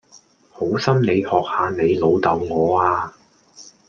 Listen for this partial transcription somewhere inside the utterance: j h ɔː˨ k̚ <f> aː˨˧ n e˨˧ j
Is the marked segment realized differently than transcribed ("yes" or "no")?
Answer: yes